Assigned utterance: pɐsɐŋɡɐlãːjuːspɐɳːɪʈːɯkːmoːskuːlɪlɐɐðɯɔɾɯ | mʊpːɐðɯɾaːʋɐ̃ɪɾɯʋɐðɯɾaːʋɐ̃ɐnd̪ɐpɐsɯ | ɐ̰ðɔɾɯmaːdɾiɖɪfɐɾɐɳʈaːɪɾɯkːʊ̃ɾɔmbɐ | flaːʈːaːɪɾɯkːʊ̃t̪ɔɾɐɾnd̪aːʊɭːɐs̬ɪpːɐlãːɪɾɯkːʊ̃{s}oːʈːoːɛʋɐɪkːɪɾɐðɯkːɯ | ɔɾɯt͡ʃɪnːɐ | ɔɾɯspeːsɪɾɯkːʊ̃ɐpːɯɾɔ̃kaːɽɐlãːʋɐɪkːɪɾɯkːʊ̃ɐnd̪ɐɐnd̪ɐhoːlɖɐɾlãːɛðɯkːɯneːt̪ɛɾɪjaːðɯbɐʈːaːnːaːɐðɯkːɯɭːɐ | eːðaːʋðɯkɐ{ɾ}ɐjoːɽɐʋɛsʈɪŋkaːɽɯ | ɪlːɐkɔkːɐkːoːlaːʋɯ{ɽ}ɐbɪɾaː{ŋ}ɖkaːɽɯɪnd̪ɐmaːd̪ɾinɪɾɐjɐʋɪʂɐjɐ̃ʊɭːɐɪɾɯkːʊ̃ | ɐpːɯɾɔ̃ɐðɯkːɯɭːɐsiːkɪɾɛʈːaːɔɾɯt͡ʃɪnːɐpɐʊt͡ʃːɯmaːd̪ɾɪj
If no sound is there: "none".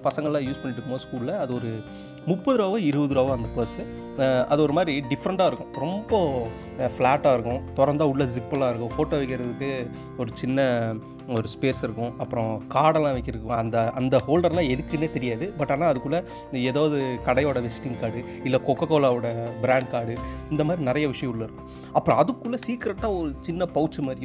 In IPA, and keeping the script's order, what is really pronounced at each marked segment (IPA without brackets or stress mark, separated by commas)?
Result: f, ɽ, ɽ, ɳ